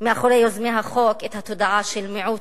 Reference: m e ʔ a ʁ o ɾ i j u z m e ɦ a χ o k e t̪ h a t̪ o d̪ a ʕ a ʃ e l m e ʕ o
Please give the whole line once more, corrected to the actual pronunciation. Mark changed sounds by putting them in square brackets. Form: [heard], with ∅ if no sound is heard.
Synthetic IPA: m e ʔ a [χ] o ɾ [e] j [o] z m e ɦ a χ o k e t̪ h a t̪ o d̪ a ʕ a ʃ e l m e ʕ [u]